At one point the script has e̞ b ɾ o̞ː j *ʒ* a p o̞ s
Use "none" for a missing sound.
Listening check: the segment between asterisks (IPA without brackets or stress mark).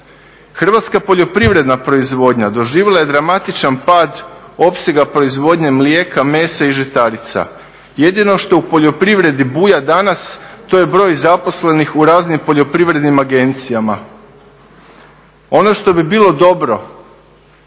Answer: z